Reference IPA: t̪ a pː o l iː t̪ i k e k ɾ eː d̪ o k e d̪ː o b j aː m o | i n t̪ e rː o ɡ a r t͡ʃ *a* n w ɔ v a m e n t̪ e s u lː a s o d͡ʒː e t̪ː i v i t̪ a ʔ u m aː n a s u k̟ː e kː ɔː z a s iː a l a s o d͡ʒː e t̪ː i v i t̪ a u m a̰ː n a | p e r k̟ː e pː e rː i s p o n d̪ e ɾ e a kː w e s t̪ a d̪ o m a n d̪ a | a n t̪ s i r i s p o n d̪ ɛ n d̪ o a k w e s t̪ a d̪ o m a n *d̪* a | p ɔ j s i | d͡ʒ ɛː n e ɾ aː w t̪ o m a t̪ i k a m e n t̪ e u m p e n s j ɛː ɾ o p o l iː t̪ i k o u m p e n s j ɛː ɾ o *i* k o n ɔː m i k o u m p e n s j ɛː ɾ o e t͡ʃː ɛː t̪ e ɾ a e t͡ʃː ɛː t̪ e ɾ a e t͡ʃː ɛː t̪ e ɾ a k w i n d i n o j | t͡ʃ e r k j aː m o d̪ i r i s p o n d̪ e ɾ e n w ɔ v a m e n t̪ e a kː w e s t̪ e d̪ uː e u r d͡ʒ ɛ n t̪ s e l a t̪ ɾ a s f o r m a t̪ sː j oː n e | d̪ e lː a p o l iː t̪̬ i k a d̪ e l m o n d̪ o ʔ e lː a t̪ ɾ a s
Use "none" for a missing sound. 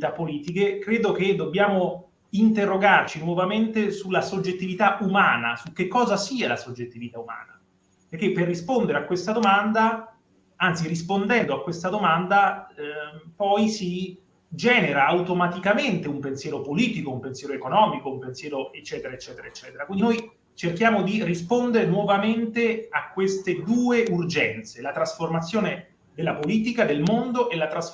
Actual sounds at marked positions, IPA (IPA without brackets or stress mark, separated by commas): i, d̪, e